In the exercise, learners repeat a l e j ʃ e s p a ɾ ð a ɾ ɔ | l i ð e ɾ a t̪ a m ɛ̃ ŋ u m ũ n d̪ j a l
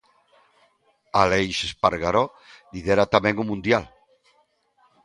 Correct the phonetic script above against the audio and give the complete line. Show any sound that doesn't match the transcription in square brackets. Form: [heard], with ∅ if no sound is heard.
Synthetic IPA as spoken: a l e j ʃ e s p a ɾ [ɣ] a ɾ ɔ | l i ð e ɾ a t̪ a m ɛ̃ ŋ u m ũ n d̪ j a l